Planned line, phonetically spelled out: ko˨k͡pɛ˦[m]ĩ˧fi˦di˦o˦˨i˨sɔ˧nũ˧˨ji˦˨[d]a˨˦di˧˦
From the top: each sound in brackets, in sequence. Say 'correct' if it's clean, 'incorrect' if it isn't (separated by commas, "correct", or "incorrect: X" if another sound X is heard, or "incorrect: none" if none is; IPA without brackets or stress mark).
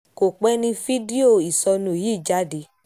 incorrect: n, incorrect: d͡ʒ